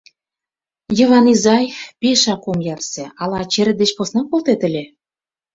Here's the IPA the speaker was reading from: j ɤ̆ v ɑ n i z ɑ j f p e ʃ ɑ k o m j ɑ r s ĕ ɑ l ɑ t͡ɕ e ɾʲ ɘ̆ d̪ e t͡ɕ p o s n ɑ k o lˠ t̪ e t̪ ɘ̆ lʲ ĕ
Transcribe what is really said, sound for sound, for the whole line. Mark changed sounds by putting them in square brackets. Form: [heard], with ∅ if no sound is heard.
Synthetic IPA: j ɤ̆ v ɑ n i z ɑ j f p e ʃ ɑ k o m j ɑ r s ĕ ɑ l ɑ t͡ɕ e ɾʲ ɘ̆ d̪ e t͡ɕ p o s n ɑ k o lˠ t̪ e t̪ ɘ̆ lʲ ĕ